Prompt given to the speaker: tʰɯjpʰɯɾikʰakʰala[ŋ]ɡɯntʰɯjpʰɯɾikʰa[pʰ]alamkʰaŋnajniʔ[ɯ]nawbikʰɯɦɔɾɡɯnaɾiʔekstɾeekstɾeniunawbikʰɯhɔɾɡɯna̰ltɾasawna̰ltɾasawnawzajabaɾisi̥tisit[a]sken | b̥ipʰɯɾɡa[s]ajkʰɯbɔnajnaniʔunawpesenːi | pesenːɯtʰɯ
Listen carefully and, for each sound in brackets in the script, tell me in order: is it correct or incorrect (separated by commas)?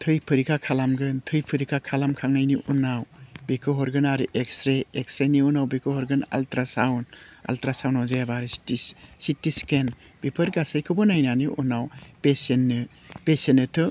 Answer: incorrect, incorrect, incorrect, incorrect, correct